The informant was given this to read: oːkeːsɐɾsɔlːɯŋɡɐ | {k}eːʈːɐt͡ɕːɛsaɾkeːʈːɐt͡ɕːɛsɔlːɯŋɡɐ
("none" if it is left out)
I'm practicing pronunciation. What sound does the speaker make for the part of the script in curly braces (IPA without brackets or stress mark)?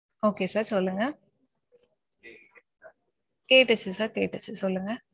k